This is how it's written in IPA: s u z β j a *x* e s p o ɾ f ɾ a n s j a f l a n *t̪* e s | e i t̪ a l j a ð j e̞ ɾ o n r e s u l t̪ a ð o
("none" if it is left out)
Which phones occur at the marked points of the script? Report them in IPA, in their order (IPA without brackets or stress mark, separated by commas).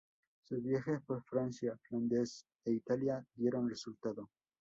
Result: x, d̪